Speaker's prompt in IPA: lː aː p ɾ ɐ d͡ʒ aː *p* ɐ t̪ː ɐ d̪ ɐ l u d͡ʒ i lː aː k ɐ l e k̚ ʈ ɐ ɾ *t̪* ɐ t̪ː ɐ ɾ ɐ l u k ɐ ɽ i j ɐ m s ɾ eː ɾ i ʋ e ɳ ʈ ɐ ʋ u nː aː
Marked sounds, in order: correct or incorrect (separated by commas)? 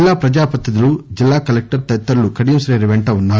correct, correct